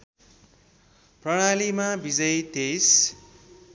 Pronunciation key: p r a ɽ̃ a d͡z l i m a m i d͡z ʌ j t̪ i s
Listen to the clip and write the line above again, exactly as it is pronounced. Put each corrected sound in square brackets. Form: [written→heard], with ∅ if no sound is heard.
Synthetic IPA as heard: p r [a→ʌ] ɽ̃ a [d͡z→∅] l i m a [m→b] i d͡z ʌ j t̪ [i→e] s